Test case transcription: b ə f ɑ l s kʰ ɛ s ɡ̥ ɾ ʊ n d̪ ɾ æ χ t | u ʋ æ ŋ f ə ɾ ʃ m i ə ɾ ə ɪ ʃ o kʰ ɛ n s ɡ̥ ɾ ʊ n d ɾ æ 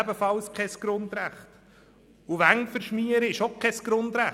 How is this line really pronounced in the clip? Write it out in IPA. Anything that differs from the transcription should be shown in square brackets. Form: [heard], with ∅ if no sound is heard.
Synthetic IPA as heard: b ə f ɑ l s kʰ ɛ s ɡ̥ ɾ ʊ n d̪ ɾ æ χ t | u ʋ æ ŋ f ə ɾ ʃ m i ə ɾ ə ɪ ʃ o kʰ ɛ [∅] s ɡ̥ ɾ ʊ n d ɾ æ